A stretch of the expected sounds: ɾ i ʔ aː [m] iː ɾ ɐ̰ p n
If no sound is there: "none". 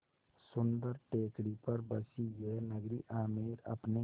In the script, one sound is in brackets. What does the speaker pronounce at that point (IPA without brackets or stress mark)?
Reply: m